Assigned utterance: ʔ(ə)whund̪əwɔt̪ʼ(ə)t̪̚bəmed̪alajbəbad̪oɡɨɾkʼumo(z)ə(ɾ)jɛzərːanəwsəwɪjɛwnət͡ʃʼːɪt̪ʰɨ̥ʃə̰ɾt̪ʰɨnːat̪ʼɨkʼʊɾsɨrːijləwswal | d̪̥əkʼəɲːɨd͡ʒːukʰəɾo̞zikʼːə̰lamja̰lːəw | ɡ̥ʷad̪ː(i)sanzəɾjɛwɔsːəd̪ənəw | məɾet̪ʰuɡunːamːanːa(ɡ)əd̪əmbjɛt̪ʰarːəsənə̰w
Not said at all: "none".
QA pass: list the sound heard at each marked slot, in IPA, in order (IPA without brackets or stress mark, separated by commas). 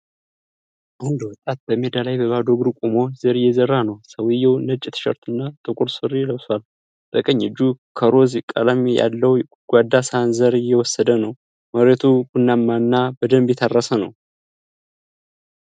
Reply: a, a, z, ɾ, a, b